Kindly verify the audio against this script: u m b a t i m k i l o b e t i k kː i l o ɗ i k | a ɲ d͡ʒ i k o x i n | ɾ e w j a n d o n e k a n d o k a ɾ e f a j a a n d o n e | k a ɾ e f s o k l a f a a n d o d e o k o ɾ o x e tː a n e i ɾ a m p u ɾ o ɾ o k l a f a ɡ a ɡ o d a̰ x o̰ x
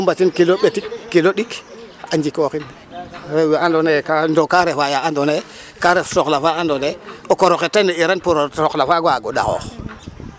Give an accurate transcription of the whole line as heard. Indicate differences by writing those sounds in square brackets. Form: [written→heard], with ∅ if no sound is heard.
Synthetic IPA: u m b a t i [m→n] k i l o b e t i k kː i l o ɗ i k | a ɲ d͡ʒ i k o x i n | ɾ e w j a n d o n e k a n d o k a ɾ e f a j a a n d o n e | k a ɾ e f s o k l a f a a n d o [d→n] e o k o ɾ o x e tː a n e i ɾ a [m→n] p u ɾ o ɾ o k l a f a ɡ a ɡ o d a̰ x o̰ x